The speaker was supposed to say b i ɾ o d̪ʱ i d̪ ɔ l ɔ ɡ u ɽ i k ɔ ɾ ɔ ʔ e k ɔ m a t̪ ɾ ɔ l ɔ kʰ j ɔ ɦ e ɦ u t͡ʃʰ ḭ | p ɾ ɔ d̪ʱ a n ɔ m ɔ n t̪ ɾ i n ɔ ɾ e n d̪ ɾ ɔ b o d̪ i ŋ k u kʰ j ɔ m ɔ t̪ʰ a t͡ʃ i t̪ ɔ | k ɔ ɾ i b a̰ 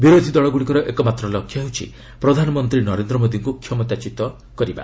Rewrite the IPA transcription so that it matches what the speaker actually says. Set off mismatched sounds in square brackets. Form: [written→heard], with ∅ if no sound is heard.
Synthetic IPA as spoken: b i ɾ o d̪ʱ i d̪ ɔ [l→ɭ] ɔ ɡ u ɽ i k ɔ ɾ ɔ ʔ e k ɔ m a t̪ ɾ ɔ l ɔ kʰ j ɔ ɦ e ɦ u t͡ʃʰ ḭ | p ɾ ɔ d̪ʱ a n ɔ m ɔ n t̪ ɾ i n ɔ ɾ e n d̪ ɾ ɔ [b→m] o d̪ i ŋ k u kʰ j ɔ m ɔ [t̪ʰ→t̪] a t͡ʃ i t̪ ɔ | k ɔ ɾ i b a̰